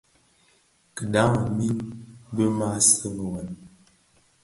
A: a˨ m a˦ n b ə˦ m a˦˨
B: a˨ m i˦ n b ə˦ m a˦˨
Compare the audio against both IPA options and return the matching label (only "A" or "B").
B